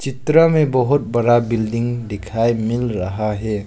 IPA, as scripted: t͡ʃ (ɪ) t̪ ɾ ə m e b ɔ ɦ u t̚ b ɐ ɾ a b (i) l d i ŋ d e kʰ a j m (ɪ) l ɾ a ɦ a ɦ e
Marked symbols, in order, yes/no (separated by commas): no, yes, no